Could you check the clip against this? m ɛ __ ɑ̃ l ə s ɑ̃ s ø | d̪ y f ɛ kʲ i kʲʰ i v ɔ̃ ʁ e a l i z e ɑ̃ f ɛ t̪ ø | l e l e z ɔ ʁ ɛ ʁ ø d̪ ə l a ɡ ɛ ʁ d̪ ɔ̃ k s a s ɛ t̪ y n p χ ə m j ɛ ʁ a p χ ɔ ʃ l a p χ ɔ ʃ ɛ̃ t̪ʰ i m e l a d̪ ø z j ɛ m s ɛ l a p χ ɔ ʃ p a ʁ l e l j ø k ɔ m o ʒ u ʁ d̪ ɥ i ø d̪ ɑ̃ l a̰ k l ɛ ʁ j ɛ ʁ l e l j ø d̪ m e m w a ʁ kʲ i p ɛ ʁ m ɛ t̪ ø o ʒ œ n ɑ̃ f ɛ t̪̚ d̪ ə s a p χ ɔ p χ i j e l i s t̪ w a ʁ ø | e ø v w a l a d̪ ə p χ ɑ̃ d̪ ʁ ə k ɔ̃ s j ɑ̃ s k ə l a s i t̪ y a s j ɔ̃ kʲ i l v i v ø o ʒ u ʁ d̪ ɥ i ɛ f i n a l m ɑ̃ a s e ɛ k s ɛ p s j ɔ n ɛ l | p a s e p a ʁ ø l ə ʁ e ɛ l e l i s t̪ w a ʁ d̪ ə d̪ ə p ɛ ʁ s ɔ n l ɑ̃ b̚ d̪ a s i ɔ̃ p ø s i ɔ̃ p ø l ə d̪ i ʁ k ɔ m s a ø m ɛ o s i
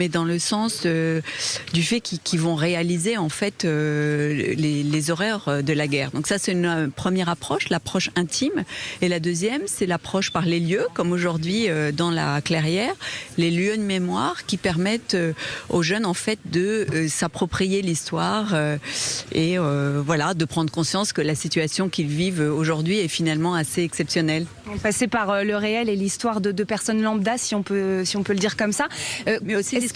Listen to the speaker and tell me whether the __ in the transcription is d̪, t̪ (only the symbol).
d̪